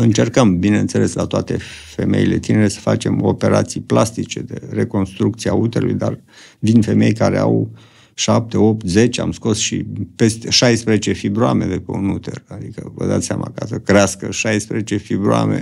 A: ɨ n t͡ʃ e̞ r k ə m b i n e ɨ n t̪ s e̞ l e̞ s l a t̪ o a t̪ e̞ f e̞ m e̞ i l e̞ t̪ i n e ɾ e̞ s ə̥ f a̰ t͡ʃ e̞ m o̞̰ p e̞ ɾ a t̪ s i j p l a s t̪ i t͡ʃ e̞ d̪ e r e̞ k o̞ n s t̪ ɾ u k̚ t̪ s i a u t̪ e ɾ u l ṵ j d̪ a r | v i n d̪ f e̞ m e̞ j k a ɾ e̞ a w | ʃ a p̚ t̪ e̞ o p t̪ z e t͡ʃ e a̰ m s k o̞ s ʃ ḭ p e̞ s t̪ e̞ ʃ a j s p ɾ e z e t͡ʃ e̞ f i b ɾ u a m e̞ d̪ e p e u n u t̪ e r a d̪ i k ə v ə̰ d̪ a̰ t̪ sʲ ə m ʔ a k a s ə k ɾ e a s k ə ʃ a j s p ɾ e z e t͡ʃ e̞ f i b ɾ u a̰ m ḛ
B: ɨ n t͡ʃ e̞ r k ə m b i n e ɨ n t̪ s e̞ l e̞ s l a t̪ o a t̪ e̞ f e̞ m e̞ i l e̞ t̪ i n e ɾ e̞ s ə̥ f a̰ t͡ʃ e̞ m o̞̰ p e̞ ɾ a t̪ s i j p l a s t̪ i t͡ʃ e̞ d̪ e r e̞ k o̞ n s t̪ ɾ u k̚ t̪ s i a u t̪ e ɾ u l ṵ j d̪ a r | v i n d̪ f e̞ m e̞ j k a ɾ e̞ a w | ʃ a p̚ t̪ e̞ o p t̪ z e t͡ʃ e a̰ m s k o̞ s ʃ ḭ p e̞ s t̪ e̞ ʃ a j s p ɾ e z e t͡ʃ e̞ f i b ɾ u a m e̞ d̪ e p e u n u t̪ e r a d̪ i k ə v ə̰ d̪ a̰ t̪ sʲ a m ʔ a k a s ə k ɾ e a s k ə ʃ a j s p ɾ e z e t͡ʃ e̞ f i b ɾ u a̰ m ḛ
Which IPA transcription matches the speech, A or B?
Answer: B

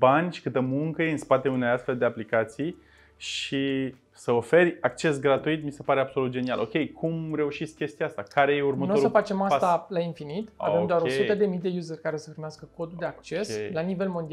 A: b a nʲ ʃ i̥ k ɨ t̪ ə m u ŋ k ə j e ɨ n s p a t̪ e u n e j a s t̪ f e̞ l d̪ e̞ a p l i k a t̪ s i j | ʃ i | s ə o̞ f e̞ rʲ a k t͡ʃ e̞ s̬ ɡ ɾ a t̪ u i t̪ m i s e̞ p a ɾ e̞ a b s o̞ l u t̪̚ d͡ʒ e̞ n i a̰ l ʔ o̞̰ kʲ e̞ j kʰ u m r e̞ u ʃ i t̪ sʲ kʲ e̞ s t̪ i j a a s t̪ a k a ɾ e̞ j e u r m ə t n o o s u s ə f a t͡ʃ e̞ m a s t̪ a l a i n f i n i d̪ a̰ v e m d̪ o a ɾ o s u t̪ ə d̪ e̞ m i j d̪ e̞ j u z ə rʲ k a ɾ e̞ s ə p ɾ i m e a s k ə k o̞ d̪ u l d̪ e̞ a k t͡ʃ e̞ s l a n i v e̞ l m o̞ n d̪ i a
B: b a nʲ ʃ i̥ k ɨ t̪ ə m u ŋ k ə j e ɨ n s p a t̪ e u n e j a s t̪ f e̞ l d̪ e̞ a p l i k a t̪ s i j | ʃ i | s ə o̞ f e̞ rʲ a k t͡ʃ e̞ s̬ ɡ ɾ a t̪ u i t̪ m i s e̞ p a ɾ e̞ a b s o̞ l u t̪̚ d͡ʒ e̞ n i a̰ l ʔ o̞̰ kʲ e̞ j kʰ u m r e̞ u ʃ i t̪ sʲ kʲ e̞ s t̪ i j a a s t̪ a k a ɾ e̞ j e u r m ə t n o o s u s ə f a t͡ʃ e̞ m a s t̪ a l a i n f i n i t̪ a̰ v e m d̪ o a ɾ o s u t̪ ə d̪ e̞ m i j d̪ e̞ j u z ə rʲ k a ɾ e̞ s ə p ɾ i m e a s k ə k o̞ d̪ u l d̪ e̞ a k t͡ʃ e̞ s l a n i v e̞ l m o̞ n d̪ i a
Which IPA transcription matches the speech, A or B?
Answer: B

